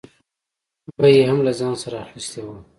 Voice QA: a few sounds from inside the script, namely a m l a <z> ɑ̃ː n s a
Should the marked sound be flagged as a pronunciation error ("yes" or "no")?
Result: no